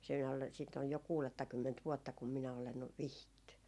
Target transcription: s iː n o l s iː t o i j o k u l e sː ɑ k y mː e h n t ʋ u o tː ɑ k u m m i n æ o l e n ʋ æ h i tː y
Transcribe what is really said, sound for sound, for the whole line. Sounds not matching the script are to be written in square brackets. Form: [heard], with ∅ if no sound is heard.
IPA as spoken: s iː n o l s iː t o [j] j o k [uː] l e [tː] ɑ k y mː e [∅] n t ʋ u o tː ɑ k u m m i n æ o l e n ʋ [i] h i tː y